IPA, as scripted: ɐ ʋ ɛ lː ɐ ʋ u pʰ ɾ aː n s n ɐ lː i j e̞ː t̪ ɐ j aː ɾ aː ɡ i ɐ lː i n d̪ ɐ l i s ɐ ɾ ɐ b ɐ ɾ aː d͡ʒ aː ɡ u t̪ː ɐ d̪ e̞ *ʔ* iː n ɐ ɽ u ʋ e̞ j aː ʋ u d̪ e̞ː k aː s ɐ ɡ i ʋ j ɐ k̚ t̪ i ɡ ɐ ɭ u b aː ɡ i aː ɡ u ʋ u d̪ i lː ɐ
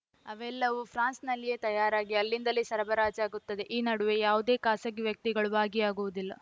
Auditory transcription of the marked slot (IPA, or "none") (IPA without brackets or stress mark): ʔ